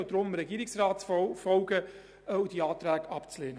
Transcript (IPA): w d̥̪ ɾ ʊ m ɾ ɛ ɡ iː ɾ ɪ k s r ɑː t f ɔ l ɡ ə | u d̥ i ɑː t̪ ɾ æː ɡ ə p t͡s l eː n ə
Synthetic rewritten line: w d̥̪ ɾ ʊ m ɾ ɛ ɡ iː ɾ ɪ k s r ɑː t f ɔ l ɡ ə | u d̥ i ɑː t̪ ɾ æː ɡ ɑ p t͡s l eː n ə